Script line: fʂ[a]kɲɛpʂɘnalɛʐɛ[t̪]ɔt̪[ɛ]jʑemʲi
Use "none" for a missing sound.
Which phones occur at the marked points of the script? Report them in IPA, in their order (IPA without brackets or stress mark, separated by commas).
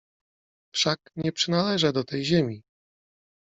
a, d̪, ɛ